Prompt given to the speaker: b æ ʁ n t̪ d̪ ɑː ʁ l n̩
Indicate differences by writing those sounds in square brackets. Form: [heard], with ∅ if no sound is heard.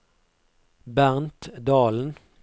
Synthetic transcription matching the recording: b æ ʁ n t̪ d̪ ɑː [∅] l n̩